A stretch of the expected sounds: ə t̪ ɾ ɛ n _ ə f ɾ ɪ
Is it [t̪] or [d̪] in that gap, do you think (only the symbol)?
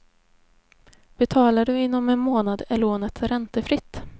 t̪